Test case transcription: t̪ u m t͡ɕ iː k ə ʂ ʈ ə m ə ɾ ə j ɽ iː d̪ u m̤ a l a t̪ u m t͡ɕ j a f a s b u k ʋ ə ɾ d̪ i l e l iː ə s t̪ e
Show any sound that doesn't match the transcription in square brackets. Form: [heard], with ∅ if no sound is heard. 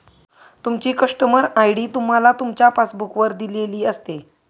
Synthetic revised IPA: t̪ u m t͡ɕ iː k ə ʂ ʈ ə m ə ɾ [a] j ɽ iː [t̪] u m̤ a l a t̪ u m t͡ɕ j a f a s b u k ʋ ə ɾ d̪ i l e l iː ə s t̪ e